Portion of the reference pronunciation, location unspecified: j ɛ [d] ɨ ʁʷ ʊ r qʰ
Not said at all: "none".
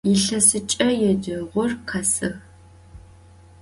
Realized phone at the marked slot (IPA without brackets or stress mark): d